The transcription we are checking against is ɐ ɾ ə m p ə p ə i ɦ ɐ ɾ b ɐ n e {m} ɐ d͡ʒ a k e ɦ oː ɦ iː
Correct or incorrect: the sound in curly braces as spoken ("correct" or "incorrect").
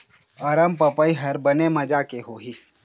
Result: correct